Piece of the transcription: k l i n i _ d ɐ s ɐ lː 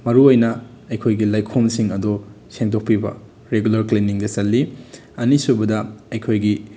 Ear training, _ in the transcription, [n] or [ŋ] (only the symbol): ŋ